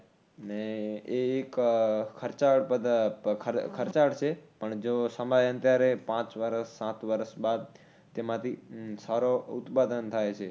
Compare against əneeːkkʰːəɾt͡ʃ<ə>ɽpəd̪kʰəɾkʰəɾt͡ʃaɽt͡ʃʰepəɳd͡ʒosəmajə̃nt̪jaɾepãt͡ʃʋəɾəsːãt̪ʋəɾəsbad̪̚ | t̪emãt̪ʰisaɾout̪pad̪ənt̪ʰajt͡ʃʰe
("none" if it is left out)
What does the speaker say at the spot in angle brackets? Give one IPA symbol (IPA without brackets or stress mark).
a